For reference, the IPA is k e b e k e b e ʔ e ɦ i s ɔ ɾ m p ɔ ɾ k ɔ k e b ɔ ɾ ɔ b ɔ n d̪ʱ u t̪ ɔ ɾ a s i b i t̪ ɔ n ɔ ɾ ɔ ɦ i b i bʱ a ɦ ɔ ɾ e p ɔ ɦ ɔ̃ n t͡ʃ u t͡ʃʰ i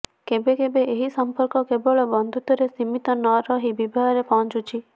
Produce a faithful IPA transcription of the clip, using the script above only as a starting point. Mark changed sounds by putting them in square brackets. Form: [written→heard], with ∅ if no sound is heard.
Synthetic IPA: k e b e k e b e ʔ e ɦ i s ɔ [ɾ→∅] m p ɔ ɾ k ɔ k e b ɔ [ɾ→ɭ] ɔ b ɔ n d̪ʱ u t̪ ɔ ɾ [a→e] s i [b→m] i t̪ ɔ n ɔ ɾ ɔ ɦ i b i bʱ a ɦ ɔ ɾ e p ɔ ɦ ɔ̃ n t͡ʃ u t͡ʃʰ i